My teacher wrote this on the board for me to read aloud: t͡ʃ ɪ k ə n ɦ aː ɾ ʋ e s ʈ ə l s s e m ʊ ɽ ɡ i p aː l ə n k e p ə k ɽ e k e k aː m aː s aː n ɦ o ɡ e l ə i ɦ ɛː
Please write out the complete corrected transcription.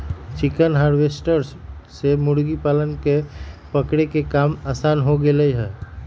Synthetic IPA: t͡ʃ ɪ k ə n ɦ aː ɾ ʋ e s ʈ ə ɾ s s e m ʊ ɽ ɡ i p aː l ə n k e p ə k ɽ e k e k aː m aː s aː n ɦ o ɡ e l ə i ɦ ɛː